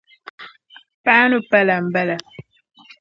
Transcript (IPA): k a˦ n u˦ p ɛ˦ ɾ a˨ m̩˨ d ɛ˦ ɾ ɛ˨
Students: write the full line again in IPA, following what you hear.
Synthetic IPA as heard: p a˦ n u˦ p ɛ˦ l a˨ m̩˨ b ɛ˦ l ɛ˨